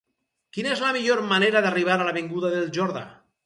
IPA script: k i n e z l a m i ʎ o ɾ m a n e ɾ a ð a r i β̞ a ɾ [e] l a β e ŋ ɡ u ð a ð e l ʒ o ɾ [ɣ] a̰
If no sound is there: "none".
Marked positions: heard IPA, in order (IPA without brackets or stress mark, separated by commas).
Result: a, ð